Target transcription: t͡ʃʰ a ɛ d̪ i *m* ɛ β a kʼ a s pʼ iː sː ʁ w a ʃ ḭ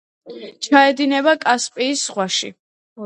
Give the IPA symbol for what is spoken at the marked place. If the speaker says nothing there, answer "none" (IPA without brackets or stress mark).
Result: n